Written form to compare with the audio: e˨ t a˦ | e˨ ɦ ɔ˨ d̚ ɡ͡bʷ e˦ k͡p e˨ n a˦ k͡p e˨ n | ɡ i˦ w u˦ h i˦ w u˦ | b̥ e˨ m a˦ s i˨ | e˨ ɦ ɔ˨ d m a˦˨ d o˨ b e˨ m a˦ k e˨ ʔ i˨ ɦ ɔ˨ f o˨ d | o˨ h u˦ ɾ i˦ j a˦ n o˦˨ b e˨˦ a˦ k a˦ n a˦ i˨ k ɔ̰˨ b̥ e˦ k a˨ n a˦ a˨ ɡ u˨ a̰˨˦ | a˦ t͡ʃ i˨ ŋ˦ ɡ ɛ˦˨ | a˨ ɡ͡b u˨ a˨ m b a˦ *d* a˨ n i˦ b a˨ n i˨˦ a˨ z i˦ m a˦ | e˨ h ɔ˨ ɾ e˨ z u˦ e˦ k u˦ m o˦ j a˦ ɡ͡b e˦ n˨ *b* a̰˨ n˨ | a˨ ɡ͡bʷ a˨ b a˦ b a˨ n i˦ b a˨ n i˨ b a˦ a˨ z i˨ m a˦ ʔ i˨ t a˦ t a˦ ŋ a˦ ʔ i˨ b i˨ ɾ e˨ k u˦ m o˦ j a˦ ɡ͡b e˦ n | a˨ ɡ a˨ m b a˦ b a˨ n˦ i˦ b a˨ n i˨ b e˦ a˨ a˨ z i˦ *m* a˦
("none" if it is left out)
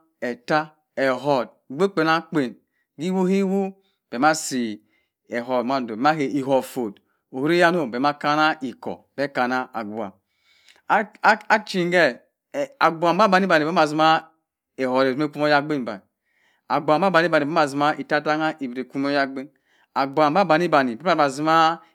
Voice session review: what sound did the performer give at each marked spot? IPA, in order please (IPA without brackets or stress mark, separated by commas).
b, b, m